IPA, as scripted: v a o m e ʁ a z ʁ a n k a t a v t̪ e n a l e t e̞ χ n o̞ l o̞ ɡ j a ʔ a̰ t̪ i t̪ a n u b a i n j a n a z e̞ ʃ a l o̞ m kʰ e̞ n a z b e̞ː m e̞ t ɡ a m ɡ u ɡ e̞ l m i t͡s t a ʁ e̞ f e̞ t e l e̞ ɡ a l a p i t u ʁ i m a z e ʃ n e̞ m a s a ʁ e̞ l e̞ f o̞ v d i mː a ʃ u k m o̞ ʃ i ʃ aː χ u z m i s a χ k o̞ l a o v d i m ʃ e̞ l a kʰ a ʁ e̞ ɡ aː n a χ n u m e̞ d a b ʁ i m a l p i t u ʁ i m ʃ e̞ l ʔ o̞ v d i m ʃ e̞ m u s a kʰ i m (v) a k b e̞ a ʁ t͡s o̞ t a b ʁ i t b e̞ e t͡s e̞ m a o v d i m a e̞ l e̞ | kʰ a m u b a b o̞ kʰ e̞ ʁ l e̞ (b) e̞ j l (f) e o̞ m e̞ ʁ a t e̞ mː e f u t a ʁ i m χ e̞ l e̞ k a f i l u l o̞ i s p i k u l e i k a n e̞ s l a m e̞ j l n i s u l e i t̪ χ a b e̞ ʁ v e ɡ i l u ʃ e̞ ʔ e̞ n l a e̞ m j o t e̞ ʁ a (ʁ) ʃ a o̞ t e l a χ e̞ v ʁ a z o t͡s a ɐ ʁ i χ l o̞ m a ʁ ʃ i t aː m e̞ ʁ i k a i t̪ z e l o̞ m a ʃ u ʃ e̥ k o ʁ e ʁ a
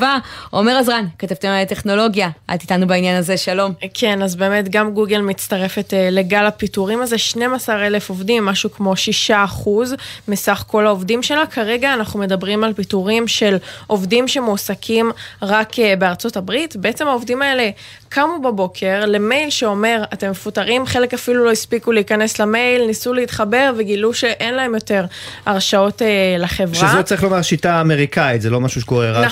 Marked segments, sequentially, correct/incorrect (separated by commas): incorrect, incorrect, incorrect, correct